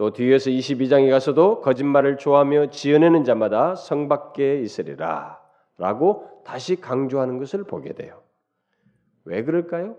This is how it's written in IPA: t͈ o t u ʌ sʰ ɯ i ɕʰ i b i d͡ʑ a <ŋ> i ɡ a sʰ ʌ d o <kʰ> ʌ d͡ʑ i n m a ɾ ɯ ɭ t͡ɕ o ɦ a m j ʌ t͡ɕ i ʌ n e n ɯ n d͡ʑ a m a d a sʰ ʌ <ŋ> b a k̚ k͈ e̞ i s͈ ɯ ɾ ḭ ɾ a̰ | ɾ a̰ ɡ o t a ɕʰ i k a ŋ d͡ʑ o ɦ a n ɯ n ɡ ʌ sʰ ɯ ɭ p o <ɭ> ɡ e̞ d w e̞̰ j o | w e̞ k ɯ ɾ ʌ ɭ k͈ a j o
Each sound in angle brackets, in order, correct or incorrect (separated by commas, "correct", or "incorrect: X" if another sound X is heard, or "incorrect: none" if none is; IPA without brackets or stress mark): correct, incorrect: k, correct, incorrect: none